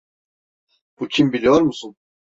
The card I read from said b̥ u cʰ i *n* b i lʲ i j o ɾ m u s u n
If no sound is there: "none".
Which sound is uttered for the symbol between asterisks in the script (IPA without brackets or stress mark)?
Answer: m